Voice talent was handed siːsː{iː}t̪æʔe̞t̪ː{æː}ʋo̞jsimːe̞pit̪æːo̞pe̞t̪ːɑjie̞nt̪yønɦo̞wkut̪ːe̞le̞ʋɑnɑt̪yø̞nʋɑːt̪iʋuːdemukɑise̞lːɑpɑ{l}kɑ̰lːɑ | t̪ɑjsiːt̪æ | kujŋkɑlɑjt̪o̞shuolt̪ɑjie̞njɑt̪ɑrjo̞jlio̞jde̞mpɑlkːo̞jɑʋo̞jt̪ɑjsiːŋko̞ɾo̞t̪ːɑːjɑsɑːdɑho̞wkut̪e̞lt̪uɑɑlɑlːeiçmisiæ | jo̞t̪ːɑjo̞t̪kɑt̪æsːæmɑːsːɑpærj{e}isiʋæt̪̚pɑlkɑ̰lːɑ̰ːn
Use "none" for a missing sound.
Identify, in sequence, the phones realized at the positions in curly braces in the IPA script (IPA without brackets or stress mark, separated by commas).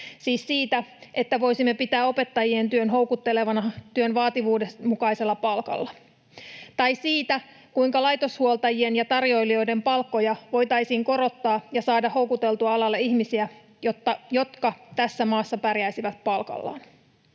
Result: iː, æ, l, æ